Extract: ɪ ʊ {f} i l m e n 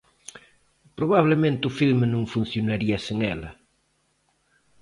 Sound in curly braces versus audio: correct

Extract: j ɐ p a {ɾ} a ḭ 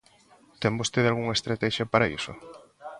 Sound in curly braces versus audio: correct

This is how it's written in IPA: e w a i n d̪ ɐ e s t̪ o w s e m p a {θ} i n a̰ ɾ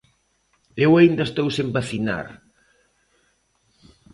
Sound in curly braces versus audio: correct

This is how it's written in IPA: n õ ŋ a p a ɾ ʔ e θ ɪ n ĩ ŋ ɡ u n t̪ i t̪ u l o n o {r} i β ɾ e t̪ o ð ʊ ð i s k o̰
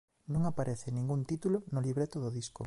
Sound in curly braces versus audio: incorrect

